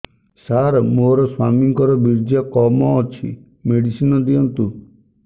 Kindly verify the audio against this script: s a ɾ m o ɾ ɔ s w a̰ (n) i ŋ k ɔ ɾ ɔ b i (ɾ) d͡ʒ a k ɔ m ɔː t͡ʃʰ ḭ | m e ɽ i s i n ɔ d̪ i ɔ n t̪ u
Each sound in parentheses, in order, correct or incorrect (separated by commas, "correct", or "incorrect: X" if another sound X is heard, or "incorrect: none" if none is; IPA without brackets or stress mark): incorrect: m, correct